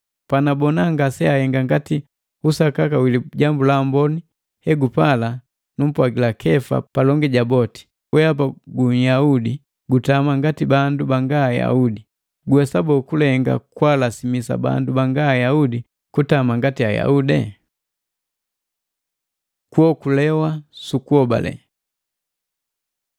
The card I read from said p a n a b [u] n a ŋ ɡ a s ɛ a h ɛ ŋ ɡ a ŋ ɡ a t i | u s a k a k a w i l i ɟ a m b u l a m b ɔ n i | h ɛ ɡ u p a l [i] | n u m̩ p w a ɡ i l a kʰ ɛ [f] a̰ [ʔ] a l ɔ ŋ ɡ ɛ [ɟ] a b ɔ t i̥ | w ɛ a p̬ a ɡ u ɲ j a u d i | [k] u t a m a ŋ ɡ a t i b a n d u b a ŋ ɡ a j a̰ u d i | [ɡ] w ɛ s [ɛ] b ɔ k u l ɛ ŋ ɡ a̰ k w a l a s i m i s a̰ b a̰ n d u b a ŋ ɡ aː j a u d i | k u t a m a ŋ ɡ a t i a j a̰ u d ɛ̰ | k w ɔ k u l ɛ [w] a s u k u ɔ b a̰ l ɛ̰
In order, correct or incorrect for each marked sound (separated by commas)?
incorrect, incorrect, correct, incorrect, correct, incorrect, correct, incorrect, correct